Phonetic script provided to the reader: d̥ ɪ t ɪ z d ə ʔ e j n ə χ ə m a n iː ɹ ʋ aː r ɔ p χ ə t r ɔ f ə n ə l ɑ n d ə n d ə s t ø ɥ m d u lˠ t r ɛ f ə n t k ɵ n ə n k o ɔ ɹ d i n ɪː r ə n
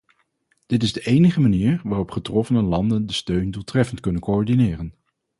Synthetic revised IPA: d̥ ɪ t ɪ z d ə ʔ e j n ə χ ə m a n iː ɹ ʋ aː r ɔ p χ ə t r ɔ f ə n ə l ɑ n d ə n d ə s t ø ɥ n d u lˠ t r ɛ f ə n t k ɵ n ə n k o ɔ ɹ d i n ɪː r ə n